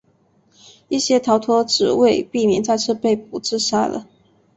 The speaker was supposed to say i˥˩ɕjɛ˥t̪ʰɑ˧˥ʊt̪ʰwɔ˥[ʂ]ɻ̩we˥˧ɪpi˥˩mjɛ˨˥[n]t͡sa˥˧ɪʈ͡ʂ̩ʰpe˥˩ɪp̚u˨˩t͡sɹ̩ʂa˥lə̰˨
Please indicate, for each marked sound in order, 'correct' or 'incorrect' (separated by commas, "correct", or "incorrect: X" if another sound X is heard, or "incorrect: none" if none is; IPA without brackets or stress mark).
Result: incorrect: ʈ͡ʂ, correct